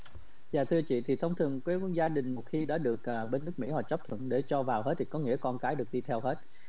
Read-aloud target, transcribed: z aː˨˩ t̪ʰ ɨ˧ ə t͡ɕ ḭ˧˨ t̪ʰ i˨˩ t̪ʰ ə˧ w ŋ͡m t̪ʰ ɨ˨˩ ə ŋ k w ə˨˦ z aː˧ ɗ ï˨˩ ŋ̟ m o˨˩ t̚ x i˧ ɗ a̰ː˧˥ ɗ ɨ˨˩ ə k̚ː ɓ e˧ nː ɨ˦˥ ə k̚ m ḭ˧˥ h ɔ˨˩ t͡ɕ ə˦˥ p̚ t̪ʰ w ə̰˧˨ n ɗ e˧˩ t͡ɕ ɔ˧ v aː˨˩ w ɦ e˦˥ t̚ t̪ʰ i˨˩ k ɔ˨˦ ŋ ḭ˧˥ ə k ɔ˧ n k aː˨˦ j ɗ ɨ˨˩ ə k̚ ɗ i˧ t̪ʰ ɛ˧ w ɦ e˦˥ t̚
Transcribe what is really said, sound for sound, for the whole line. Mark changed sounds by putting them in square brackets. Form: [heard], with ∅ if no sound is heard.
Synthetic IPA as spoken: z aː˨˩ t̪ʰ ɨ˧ ə t͡ɕ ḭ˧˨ t̪ʰ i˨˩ t̪ʰ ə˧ w ŋ͡m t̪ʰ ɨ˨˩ ə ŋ k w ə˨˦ z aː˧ ɗ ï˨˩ ŋ̟ m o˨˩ t̚ x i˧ ɗ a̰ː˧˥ ɗ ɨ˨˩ ə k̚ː ɓ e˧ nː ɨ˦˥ ə k̚ m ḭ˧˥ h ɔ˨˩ t͡ɕ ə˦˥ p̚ t̪ʰ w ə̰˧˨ n ɗ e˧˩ t͡ɕ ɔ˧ v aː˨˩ w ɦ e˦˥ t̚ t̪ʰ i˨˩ k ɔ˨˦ ŋ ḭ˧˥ ə k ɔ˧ n k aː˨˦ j ɗ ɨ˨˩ ə k̚ ɗ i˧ t̪ʰ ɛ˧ w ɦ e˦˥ t̚